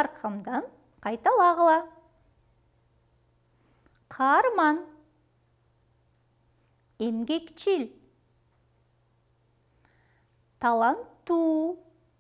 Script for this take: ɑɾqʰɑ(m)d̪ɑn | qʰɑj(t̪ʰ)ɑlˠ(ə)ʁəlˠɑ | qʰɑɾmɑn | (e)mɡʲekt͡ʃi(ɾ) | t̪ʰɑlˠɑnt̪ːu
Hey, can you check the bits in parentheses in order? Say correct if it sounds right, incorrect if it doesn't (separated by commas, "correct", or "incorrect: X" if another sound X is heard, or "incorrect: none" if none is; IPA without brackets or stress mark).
correct, incorrect: t̪, incorrect: ɑ, correct, incorrect: l